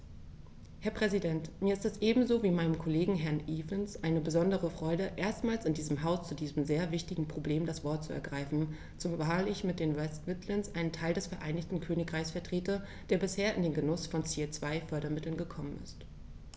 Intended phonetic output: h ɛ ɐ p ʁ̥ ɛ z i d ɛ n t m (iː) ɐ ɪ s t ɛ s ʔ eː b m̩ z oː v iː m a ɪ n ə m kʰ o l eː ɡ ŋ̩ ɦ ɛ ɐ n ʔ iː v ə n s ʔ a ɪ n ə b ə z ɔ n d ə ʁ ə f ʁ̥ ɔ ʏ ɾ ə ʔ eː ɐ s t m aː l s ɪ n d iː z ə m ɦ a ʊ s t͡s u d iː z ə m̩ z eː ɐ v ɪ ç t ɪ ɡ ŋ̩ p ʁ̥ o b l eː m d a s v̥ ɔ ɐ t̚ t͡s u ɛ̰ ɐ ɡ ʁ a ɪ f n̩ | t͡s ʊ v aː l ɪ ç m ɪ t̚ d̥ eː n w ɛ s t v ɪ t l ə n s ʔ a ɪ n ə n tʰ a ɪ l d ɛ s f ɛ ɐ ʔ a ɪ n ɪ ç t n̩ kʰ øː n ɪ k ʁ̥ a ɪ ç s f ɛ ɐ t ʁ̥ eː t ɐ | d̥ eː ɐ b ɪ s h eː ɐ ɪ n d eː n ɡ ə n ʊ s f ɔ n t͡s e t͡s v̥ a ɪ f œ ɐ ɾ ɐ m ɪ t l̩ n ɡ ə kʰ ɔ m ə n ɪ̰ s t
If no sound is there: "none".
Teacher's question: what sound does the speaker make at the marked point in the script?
iː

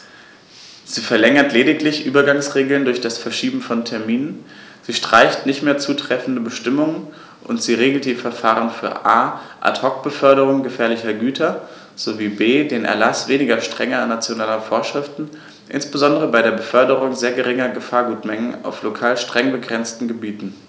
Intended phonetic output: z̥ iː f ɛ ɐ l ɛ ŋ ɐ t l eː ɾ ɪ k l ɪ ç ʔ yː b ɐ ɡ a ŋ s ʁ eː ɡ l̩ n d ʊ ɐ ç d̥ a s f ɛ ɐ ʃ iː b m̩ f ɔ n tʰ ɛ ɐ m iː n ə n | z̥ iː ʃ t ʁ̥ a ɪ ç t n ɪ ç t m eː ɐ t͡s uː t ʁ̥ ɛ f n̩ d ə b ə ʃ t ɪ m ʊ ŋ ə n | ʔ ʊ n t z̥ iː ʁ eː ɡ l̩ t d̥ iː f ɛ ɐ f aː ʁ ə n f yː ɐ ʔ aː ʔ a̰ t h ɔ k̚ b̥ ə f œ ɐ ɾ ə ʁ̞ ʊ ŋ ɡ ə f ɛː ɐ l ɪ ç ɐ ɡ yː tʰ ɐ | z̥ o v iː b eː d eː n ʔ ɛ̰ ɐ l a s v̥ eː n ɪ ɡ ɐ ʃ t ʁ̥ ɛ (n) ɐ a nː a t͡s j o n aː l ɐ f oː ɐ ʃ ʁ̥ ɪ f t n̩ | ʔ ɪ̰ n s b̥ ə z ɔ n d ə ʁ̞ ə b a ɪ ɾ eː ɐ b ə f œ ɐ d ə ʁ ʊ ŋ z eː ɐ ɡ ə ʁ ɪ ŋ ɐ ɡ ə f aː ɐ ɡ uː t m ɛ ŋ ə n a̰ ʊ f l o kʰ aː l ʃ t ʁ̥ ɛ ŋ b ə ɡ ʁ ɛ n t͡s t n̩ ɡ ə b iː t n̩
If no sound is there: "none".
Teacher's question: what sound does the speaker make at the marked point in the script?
ŋ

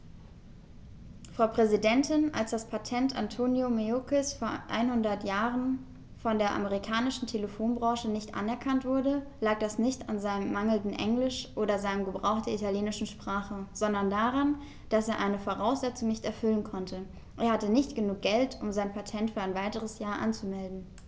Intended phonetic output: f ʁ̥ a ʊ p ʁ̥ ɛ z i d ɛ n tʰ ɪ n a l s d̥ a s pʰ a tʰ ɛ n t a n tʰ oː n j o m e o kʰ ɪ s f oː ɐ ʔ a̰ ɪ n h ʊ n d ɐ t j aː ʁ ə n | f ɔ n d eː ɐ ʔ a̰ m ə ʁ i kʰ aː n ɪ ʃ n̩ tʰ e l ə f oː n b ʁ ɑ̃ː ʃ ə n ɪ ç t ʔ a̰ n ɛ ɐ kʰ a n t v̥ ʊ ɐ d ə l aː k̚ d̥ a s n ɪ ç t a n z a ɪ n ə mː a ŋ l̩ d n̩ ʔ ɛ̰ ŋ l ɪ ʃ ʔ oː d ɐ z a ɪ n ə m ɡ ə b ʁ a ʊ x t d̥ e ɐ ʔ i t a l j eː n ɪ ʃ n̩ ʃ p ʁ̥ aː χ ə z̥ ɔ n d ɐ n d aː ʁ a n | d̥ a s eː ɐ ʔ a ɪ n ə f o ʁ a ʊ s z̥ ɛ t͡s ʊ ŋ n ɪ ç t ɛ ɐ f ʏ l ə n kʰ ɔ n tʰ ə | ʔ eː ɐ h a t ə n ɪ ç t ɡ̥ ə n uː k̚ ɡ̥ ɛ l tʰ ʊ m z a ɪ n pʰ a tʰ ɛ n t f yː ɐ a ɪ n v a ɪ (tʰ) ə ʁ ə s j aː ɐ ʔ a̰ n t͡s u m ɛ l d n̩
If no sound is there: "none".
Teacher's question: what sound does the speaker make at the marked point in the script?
t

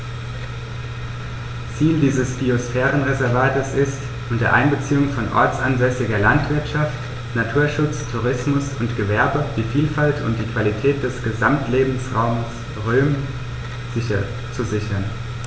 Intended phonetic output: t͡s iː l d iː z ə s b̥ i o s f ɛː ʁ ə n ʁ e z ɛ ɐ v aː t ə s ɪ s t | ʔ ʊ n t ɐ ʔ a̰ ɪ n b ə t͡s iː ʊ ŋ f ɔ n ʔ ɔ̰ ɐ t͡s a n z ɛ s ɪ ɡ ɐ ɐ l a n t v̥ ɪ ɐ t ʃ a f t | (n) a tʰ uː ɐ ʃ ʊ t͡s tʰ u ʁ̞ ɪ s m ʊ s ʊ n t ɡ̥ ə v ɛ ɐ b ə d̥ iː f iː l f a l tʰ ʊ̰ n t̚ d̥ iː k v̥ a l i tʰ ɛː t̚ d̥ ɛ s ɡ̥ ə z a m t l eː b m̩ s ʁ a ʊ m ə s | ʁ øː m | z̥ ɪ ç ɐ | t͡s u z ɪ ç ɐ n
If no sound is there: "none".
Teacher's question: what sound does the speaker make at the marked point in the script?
n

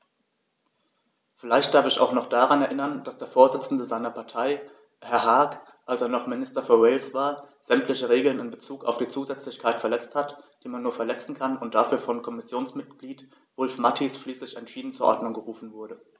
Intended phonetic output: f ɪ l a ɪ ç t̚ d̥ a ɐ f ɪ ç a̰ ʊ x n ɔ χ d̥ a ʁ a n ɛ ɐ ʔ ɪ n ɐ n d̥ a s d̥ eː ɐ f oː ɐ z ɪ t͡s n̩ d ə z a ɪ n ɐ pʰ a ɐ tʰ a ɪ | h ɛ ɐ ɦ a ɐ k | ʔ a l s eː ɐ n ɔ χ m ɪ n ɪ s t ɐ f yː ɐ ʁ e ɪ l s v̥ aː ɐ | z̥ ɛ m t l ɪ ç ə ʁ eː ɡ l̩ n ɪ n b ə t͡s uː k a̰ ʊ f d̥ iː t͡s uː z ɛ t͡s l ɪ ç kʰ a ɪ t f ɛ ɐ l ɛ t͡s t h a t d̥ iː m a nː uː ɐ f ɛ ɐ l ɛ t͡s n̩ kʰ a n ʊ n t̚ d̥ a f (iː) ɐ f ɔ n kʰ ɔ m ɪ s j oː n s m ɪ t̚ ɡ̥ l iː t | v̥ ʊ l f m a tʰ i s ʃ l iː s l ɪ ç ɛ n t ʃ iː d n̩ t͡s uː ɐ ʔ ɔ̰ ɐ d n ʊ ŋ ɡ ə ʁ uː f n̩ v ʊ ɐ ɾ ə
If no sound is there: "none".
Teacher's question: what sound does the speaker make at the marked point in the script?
yː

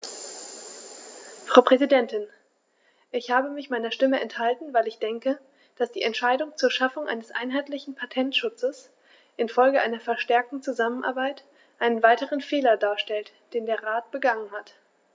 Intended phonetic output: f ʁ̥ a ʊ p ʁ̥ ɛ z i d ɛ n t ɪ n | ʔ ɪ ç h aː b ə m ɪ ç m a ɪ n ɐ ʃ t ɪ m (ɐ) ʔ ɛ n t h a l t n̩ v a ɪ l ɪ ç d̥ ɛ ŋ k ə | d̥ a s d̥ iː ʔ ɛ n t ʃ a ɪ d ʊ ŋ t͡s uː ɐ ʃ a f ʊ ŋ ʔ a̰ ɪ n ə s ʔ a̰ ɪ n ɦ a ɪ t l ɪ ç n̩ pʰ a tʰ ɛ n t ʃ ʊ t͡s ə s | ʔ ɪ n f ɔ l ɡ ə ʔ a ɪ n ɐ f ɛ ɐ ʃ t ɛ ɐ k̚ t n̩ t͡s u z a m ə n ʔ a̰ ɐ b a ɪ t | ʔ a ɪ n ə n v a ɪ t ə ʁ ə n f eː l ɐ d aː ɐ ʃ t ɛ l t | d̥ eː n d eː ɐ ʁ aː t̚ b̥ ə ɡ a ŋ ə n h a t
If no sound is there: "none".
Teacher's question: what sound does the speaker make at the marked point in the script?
ə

